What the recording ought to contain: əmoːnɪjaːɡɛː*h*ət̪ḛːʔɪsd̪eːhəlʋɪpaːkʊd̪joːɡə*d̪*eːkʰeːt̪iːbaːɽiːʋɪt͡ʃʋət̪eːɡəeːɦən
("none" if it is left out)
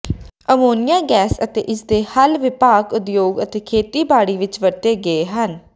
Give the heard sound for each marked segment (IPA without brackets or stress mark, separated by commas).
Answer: s, t̪